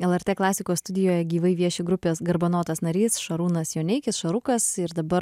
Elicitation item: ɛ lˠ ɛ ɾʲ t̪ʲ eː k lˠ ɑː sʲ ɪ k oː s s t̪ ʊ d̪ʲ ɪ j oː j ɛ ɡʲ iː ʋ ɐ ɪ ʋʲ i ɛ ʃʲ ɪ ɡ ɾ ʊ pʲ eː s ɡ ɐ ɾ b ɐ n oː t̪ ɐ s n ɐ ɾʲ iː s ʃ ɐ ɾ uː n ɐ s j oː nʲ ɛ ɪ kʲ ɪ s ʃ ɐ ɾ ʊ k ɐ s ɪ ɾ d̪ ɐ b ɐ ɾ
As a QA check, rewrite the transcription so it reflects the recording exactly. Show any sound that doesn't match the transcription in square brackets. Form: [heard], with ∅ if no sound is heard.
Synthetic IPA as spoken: ɛ lˠ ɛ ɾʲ t̪ʲ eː k lˠ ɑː sʲ ɪ k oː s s t̪ ʊ d̪ʲ ɪ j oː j ɛ ɡʲ iː ʋ ɐ ɪ ʋʲ i ɛ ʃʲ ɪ ɡ ɾ ʊ pʲ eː s ɡ ɐ ɾ b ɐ n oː t̪ ɐ s n ɐ ɾʲ iː s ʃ ɐ ɾ uː n ɐ s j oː nʲ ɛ ɪ kʲ ɪ s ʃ ɐ ɾ ʊ k ɐ s ɪ ɾ d̪ ɐ b ɐ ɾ